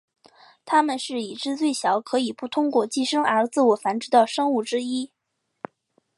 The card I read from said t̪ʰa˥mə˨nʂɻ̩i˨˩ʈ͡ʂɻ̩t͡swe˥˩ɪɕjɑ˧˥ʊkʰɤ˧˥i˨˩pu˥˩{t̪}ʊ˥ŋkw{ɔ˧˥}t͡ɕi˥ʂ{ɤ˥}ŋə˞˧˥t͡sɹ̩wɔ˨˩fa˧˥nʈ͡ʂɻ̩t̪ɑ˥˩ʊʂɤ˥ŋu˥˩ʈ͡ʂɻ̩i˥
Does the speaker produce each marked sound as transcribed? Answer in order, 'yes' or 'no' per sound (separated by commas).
no, no, yes